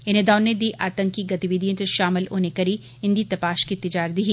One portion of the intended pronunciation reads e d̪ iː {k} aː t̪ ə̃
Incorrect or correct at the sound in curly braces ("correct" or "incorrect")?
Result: incorrect